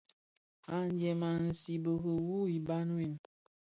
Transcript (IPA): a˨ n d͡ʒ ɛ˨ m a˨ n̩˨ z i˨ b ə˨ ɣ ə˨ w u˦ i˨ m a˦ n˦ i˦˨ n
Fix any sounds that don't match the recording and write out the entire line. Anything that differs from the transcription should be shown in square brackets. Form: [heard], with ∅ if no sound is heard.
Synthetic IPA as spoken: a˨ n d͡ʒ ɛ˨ m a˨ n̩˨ [s] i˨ b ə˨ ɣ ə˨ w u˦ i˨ [b] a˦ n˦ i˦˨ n